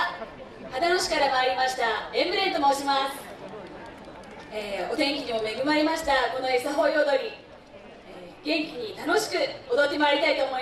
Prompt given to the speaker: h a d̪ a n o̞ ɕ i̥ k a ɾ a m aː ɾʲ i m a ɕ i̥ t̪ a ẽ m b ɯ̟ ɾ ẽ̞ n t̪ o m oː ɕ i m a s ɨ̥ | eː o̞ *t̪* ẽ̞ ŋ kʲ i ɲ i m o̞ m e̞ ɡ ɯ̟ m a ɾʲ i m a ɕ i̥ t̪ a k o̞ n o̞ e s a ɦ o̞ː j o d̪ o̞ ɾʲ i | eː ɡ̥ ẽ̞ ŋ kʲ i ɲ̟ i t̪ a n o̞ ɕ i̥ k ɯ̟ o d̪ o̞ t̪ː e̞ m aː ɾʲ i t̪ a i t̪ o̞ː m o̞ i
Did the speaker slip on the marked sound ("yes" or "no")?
no